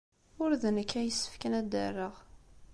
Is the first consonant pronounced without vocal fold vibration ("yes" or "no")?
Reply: no